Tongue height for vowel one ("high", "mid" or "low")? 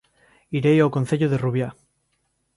high